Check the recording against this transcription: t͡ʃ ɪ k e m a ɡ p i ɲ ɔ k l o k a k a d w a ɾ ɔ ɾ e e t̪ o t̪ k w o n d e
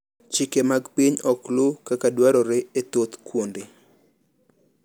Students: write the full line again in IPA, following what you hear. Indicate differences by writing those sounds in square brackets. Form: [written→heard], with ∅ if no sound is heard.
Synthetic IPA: t͡ʃ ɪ k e m a ɡ p i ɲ ɔ k l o k a k a d w a ɾ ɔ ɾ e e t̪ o t̪ k w o n d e